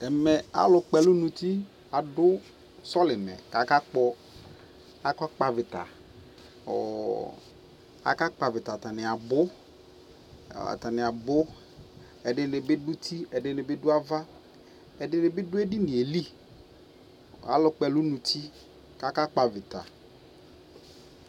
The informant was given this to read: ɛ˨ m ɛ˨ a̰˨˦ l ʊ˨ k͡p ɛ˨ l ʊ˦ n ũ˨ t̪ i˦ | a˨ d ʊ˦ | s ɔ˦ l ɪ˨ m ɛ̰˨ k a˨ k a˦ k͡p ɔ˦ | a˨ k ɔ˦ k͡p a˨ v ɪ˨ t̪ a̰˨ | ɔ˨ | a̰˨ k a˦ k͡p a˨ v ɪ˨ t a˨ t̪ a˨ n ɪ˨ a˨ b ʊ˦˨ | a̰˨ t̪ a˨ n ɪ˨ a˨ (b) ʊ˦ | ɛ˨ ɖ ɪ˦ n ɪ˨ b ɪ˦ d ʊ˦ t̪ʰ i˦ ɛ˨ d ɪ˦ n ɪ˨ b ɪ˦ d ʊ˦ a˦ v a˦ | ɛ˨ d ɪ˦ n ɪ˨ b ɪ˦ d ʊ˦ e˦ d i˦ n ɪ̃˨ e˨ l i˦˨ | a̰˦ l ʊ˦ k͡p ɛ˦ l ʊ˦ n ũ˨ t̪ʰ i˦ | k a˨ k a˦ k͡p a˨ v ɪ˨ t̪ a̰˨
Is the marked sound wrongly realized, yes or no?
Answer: no